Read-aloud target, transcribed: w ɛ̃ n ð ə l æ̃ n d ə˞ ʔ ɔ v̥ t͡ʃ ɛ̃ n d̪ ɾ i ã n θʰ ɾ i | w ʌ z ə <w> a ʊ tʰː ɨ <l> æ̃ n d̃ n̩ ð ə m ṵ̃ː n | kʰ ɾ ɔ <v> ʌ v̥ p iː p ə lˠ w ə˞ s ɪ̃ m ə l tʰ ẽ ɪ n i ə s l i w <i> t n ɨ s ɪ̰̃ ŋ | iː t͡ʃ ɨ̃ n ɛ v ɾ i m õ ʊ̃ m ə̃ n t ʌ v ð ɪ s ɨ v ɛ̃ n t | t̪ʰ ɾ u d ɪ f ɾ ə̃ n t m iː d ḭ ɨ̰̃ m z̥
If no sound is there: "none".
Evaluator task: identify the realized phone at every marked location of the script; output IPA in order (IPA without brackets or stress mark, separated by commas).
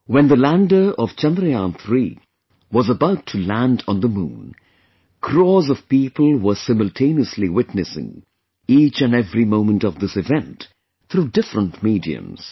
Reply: b, l, z, ɪ